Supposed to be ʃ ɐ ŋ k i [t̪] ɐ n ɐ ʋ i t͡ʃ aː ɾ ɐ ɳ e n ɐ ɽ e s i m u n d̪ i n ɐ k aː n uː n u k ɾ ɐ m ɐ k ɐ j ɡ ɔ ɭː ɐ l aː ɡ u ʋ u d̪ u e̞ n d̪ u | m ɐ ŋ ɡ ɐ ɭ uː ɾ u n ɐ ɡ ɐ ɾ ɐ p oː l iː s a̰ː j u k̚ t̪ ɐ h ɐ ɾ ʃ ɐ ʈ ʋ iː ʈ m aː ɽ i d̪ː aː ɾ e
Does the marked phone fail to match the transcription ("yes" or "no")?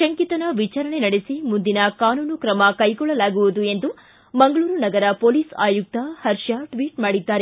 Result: no